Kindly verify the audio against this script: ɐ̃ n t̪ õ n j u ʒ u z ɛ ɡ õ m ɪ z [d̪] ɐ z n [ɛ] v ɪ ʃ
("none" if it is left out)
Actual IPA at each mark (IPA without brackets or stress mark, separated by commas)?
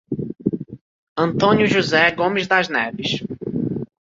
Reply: d̪, ɛ